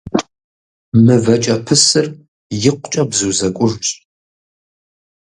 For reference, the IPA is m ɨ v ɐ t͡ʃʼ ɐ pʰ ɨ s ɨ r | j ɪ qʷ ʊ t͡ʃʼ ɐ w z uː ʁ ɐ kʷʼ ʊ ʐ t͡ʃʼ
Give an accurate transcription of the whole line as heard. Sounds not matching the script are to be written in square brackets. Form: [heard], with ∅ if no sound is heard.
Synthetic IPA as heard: m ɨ v ɐ t͡ʃʼ ɐ pʰ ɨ s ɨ r | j ɪ qʷ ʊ t͡ʃʼ ɐ [b] z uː [z] ɐ kʷʼ ʊ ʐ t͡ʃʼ